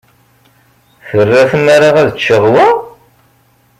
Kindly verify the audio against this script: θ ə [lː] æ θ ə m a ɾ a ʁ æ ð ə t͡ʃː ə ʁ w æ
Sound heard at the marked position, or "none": rː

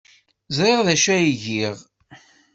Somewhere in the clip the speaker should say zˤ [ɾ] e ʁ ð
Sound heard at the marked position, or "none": ɾ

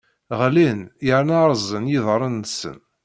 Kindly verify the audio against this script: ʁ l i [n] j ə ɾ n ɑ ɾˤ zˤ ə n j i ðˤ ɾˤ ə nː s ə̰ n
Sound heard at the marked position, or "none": n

